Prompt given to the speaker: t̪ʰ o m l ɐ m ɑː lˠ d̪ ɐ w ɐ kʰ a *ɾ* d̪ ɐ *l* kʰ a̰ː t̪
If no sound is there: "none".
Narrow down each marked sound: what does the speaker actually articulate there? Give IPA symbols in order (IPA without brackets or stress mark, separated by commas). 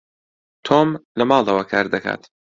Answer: ɾ, none